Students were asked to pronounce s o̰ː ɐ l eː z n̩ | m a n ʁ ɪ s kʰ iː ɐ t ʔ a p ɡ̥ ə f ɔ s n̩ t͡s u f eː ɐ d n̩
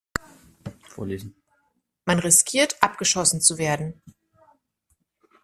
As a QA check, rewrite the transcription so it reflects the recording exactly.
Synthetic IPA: f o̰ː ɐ l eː z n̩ | m a n ʁ ɪ s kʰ iː ɐ t ʔ a p ɡ̥ ə ʃ ɔ s n̩ t͡s u v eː ɐ d n̩